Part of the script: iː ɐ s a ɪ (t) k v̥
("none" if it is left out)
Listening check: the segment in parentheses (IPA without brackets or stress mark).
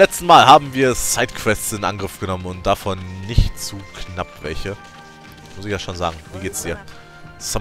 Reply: t